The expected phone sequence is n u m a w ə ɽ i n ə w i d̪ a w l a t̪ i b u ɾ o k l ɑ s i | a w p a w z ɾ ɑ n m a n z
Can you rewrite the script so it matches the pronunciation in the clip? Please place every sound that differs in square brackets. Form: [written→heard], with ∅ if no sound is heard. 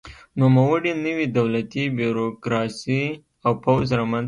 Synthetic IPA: n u m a w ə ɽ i n ə w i d̪ a w l a t̪ i b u ɾ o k [l→ɾ] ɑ s i | a w p a w z ɾ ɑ [n→∅] m a n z